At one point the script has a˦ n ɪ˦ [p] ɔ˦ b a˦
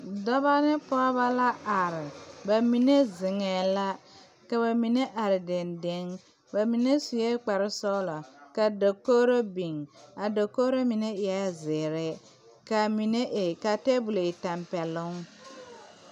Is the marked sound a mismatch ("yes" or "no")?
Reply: no